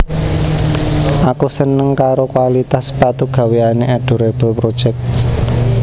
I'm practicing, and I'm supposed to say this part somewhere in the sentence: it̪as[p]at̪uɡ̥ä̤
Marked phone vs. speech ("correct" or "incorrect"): correct